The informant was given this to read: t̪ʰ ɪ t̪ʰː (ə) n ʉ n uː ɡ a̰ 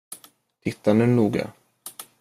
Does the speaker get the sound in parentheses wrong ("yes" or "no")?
yes